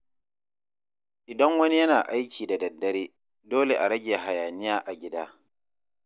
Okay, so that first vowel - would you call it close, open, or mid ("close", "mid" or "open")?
close